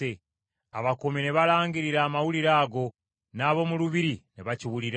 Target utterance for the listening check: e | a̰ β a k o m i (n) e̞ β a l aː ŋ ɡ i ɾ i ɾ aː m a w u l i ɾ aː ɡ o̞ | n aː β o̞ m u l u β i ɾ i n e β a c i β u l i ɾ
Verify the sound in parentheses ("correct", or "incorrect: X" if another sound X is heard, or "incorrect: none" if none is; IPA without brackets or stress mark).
correct